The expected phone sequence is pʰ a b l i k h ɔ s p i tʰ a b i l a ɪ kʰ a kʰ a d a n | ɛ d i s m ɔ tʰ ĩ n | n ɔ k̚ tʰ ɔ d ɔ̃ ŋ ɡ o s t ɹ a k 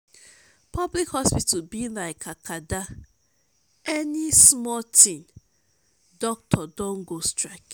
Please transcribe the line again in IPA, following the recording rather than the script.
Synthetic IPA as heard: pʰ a b l i k h ɔ s p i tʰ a b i l a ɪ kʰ a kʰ a d a | ɛ n i s m ɔ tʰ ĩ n | d ɔ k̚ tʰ ɔ d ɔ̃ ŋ ɡ o s t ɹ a k